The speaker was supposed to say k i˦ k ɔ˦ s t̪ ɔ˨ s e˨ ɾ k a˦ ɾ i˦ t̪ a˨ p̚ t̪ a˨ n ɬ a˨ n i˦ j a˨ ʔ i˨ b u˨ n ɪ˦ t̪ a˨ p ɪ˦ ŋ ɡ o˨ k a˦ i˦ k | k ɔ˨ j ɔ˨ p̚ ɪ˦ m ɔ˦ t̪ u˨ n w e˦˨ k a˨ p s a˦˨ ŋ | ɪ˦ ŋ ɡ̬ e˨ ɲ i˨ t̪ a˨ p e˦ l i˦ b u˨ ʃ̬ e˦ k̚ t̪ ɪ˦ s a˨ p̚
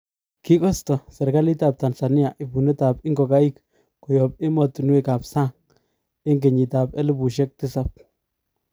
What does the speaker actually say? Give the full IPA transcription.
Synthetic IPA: k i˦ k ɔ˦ s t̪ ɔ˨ s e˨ ɾ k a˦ l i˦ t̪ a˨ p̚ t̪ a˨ n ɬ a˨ n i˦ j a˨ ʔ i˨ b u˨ n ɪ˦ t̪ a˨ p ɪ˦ ŋ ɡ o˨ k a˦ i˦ k | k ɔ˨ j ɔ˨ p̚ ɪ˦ m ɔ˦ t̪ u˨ n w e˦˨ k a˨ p s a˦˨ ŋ | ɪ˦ ŋ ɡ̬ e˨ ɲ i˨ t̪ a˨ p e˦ l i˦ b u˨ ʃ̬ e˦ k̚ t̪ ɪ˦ s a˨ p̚